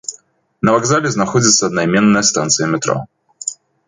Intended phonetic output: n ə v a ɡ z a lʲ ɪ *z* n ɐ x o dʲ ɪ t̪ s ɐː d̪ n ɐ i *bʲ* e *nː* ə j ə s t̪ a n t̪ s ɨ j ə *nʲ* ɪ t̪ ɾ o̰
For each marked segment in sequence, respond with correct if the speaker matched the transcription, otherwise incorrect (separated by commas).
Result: correct, incorrect, correct, incorrect